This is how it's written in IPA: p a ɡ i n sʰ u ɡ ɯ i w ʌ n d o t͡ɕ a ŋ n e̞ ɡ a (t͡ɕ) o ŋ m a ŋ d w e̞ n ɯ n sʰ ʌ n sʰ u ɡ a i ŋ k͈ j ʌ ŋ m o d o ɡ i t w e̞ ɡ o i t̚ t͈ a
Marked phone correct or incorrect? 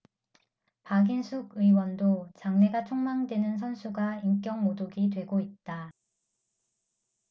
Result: incorrect